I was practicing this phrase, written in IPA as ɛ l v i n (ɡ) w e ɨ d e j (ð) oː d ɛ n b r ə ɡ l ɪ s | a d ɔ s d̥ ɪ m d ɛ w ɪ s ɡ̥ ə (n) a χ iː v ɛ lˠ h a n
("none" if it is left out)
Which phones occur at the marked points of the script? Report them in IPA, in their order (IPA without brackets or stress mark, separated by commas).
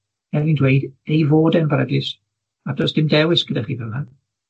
d, v, d